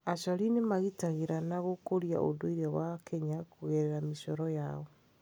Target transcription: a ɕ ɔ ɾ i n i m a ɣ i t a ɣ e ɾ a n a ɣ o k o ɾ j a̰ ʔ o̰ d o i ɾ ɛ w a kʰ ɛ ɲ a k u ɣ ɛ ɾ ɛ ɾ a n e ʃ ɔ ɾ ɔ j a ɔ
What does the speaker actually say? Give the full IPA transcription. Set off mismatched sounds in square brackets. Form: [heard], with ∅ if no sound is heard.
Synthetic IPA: a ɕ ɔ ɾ i n [e] m a ɣ i t a ɣ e ɾ a n a ɣ o k o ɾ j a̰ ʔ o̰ d o i ɾ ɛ w a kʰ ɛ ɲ a k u ɣ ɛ ɾ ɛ ɾ a [m] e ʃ ɔ ɾ ɔ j a ɔ